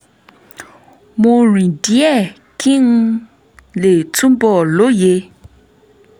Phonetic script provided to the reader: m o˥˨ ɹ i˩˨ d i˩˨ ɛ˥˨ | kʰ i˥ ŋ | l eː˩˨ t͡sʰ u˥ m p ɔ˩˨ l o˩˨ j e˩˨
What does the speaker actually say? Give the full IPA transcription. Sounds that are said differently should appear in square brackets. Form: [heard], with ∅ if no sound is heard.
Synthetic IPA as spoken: m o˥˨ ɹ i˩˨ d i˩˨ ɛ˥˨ | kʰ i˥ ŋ | l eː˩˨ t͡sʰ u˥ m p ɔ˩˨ l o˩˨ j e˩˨